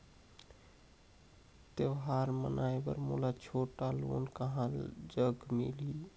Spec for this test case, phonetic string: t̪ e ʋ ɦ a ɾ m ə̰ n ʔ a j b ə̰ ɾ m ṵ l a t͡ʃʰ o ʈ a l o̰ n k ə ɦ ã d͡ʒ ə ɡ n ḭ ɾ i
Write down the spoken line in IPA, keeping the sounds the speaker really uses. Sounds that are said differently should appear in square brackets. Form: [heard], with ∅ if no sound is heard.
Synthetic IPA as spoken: t̪ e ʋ ɦ a ɾ m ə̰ n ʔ a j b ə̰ ɾ m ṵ l a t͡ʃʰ o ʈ a l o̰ n k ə ɦ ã d͡ʒ ə ɡ [m] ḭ [l] i